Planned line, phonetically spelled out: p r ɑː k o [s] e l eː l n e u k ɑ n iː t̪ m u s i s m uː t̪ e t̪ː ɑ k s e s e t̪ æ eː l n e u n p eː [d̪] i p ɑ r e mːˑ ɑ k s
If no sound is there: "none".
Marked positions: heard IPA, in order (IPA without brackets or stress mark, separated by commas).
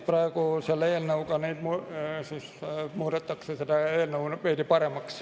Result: s, t̪